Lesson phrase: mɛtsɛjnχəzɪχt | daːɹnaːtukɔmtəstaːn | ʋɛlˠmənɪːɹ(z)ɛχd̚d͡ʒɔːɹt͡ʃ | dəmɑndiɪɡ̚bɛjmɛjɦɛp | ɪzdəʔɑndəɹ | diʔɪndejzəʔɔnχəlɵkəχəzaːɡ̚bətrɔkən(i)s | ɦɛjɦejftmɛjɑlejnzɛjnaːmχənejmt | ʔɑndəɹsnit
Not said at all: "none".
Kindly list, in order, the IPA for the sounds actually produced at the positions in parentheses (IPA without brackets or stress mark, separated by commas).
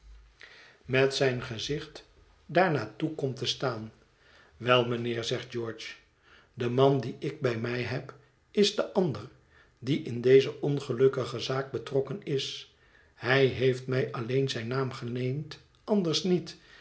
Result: z, ɪ